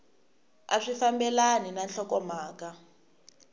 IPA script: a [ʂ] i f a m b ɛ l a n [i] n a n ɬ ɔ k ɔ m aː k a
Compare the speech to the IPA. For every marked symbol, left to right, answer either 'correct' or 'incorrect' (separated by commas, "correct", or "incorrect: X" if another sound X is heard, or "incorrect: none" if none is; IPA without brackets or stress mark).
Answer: correct, correct